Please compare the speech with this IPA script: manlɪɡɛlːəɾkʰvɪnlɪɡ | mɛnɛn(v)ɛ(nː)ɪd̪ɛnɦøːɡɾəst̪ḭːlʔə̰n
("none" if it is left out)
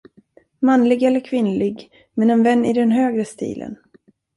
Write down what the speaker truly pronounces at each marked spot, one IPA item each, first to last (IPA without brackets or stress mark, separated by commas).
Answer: v, nː